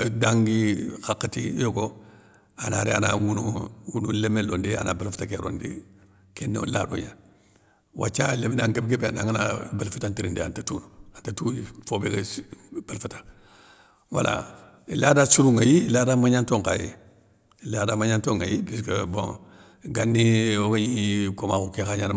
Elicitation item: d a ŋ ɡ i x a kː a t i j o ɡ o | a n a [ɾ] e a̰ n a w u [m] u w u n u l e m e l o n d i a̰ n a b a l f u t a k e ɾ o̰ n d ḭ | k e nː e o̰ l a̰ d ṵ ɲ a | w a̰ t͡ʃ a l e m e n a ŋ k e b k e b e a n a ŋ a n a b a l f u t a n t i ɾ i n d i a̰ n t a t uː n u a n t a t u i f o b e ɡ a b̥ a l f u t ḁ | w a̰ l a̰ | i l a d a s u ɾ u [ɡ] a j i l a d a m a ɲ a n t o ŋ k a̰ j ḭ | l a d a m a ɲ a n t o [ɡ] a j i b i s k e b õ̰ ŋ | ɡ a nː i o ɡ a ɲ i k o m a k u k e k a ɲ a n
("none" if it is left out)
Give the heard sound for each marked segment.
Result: ɾ, n, ŋ, ŋ

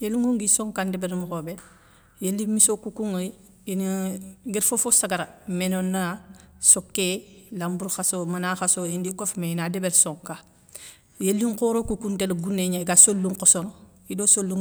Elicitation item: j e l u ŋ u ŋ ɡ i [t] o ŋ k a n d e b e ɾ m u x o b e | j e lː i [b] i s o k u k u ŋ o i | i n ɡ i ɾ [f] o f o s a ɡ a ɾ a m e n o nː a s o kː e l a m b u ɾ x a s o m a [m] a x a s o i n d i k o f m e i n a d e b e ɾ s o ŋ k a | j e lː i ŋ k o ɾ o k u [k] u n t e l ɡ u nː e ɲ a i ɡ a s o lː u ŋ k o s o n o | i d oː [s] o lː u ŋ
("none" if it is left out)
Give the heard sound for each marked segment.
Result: s, m, f, n, k, s

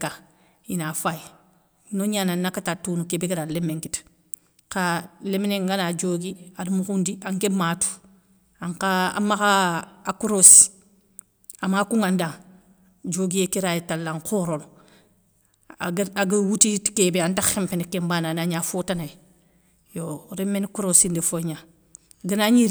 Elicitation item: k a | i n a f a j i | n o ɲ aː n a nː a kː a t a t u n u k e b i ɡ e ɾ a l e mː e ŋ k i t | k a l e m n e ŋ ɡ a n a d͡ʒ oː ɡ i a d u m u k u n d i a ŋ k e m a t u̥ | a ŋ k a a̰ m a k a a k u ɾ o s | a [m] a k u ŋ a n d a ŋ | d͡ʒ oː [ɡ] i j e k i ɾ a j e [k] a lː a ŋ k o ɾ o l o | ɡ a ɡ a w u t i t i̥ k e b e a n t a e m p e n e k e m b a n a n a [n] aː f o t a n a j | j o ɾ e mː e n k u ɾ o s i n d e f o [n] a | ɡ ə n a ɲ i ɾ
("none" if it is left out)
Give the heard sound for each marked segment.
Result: m, ɡ, t, ɲ, ɲ

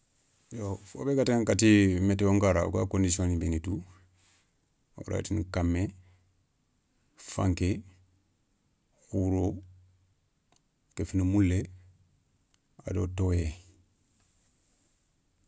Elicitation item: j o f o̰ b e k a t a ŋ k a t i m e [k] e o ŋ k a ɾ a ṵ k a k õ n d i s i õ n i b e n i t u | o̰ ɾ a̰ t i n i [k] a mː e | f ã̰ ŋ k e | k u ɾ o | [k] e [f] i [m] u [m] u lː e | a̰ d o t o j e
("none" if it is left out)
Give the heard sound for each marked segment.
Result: t, k, k, f, n, m

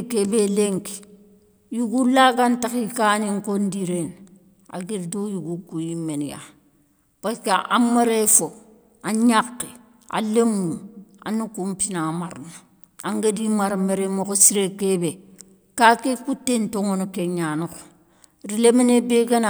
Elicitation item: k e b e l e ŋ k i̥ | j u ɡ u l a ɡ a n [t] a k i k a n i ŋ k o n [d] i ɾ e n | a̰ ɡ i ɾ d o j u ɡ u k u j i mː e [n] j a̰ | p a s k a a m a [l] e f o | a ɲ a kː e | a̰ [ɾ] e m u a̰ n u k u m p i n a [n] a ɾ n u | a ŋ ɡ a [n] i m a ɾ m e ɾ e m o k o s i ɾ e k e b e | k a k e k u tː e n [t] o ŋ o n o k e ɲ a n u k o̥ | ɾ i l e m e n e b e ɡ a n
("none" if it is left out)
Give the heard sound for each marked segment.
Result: t, d, n, ɾ, l, m, d, t

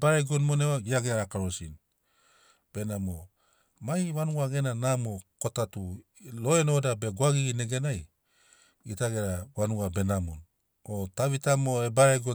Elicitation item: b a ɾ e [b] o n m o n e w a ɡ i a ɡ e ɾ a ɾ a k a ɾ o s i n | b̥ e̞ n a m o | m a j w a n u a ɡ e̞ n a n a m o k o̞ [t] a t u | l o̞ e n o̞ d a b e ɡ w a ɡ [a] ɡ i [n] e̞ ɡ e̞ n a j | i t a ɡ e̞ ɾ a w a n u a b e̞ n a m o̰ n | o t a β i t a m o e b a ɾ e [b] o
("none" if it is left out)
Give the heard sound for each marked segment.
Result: ɡ, t, i, n, ɡ

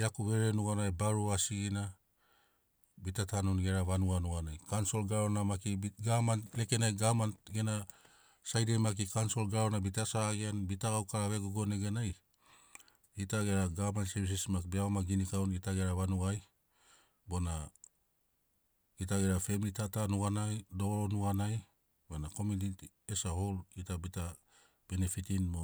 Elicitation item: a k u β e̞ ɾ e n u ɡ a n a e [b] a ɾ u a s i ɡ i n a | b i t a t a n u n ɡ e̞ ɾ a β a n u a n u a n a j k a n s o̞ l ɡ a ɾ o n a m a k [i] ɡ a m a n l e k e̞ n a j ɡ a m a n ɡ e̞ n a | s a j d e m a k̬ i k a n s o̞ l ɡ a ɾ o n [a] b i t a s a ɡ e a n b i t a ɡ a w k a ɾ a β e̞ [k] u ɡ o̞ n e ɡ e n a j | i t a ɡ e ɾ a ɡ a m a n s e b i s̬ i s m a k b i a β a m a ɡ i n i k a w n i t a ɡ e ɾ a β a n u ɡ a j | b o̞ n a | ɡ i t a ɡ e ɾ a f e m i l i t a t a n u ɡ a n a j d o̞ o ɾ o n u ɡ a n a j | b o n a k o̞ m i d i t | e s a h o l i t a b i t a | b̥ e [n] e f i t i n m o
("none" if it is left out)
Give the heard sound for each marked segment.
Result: b, i, a, ɡ, n

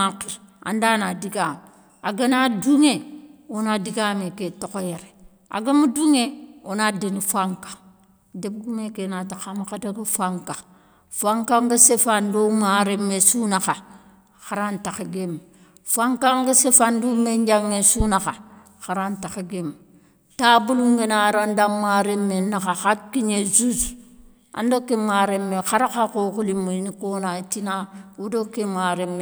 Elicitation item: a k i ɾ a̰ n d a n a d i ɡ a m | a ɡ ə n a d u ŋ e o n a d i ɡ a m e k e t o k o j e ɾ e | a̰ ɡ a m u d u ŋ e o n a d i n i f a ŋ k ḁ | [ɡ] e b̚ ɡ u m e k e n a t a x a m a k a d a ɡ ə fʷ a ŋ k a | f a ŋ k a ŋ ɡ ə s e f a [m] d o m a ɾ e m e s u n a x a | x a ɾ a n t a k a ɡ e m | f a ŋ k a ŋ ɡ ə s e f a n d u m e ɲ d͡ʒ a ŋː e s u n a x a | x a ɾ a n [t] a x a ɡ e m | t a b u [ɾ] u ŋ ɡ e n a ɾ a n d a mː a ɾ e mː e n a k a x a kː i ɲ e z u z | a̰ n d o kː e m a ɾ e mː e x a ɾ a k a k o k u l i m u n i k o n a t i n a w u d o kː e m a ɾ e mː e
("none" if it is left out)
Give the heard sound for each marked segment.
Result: d, n, t, l

